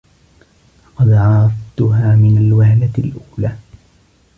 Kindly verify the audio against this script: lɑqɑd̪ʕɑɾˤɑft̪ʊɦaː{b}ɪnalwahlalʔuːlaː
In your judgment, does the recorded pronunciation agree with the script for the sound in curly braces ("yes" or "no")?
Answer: no